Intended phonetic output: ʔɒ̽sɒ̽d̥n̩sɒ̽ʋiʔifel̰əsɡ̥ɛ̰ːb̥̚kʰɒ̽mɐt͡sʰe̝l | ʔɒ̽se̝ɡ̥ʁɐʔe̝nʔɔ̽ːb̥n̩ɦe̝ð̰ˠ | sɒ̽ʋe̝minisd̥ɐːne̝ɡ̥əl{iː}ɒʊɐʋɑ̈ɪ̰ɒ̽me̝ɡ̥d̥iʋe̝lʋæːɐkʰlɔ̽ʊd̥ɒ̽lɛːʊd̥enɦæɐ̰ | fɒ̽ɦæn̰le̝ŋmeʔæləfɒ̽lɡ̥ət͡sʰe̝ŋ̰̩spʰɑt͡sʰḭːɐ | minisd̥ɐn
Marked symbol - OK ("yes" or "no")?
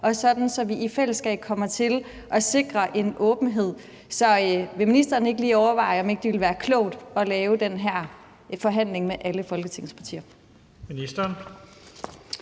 yes